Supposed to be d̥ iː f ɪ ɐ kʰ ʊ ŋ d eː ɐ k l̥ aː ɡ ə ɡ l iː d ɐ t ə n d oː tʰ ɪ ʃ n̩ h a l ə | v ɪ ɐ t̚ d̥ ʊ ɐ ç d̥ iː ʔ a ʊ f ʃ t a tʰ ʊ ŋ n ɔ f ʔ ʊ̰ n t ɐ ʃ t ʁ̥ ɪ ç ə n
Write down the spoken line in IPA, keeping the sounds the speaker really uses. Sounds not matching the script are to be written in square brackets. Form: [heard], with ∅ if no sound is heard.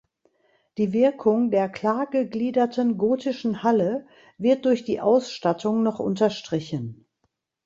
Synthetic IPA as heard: d̥ iː [v] ɪ ɐ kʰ ʊ ŋ d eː ɐ k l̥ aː ɡ ə ɡ l iː d ɐ t ə n [ɡ] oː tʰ ɪ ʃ n̩ h a l ə | v ɪ ɐ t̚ d̥ ʊ ɐ ç d̥ iː ʔ a ʊ [s] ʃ t a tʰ ʊ ŋ n ɔ [χ] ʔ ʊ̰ n t ɐ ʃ t ʁ̥ ɪ ç ə n